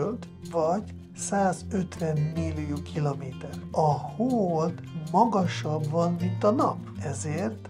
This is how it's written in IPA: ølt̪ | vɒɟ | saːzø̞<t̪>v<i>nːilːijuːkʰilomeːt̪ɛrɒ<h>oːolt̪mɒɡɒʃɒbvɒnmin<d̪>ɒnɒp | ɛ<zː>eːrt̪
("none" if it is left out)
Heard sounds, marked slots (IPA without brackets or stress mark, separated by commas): t̪, ɛ, h, t̪, z